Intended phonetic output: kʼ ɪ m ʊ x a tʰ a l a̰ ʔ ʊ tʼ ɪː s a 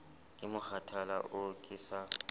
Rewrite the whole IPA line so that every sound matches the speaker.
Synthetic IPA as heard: kʼ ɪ m ʊ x a tʰ a l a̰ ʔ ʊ kʼ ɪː s a

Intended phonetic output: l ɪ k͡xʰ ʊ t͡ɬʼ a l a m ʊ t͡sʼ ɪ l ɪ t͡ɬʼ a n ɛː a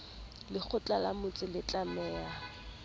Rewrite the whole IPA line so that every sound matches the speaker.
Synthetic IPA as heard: l ɪ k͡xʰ ʊ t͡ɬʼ a l a m ʊ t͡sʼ ɪ l ɪ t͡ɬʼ a m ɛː a

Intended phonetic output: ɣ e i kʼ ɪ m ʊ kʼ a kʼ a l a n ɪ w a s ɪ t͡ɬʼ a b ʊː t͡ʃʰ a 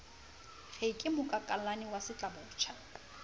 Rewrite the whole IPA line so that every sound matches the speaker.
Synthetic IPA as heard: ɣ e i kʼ ɪ m ʊ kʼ a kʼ a l a n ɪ w a s ɪ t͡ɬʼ a b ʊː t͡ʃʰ a

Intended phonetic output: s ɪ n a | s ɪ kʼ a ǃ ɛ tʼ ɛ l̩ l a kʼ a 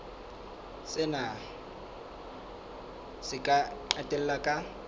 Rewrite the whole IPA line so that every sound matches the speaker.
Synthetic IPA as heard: s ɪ n a | s ɪ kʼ a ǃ a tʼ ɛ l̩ l a kʼ a

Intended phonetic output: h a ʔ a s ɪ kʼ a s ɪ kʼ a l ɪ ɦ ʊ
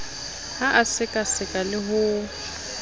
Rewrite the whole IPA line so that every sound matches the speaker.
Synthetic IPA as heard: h a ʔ a s ɪ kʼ a s ɪ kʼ a l ɪ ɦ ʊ

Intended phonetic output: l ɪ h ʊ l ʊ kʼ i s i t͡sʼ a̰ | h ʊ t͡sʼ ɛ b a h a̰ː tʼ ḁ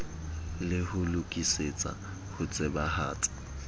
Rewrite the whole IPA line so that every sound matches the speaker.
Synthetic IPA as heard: l ɪ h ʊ l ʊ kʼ i s e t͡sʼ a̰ | h ʊ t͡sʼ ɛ b a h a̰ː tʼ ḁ

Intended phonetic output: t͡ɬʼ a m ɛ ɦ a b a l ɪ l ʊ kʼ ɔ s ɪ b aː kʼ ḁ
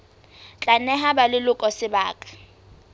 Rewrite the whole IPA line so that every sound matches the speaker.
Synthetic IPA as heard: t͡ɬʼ a n ɛ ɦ a b a l ɪ l ʊ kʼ ɔ s ɪ b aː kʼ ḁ

